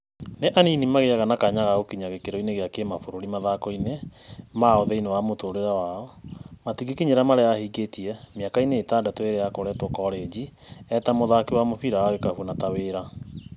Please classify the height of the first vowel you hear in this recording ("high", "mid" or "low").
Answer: mid